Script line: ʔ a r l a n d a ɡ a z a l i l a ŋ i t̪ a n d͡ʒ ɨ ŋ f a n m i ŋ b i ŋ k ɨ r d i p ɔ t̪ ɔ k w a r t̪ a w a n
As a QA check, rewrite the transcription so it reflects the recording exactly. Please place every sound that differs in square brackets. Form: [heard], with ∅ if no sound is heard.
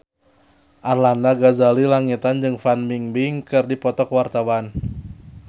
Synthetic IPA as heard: ʔ a r l a n d a ɡ a z a l i l a ŋ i t̪ a n d͡ʒ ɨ ŋ f a n m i ŋ b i ŋ k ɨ r d i p ɔ t̪ ɔ k w a r t̪ a w a n